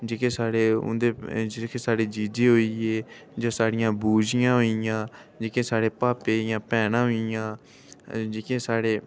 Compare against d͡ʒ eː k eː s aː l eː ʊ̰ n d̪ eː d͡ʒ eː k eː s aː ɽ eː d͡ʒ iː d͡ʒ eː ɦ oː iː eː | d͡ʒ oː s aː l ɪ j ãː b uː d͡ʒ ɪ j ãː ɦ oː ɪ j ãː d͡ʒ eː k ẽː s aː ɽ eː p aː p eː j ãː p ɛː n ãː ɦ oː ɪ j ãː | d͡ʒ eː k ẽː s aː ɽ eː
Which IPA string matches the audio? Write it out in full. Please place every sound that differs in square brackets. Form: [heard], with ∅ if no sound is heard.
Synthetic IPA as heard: d͡ʒ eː k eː s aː [ɽ] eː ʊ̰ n d̪ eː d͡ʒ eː k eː s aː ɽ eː d͡ʒ iː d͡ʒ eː ɦ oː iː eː | d͡ʒ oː s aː [ɽ] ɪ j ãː b uː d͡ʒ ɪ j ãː ɦ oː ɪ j ãː d͡ʒ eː k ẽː s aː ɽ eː p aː p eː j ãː p ɛː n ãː ɦ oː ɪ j ãː | d͡ʒ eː k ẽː s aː ɽ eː